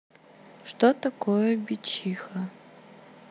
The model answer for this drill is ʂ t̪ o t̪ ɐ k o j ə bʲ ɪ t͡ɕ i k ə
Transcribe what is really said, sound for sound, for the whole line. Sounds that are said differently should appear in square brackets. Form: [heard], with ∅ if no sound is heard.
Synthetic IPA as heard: ʂ t̪ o t̪ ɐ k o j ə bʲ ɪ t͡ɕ i [x] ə